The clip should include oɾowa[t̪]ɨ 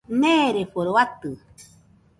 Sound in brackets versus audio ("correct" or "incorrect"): correct